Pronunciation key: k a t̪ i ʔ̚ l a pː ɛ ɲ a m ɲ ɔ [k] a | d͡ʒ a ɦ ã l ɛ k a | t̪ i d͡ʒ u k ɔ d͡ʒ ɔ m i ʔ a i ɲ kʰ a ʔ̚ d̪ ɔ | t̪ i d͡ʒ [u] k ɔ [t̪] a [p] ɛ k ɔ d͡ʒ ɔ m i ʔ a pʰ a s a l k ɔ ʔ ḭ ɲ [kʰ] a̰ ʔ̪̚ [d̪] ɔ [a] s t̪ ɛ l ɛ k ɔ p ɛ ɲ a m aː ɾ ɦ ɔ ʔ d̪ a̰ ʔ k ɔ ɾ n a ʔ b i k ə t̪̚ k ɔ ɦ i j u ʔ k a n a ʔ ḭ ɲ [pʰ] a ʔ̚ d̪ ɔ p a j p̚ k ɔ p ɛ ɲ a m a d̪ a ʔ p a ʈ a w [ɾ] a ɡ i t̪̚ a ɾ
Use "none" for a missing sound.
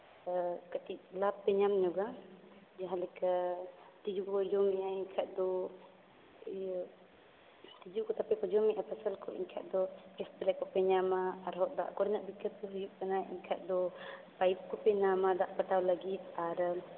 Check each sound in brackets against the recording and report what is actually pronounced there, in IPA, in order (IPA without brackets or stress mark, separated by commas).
ɡ, u, t̪, p, kʰ, d̪, ɛ, kʰ, l